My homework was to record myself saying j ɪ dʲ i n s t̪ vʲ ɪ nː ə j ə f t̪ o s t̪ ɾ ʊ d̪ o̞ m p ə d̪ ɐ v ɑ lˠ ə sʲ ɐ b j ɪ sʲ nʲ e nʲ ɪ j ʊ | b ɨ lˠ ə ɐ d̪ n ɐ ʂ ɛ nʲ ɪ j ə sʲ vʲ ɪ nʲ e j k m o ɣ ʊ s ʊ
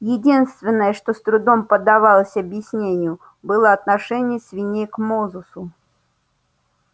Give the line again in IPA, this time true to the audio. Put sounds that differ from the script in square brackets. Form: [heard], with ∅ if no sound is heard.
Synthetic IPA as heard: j ɪ dʲ i n s t̪ vʲ ɪ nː ə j ə [ʂ] t̪ o s t̪ ɾ ʊ d̪ o̞ m p ə d̪ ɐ v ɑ lˠ ə sʲ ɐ b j ɪ sʲ nʲ e nʲ ɪ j ʊ | b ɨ lˠ ə ɐ [t̪] n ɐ ʂ ɛ nʲ ɪ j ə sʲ vʲ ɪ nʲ e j k m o [z] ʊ s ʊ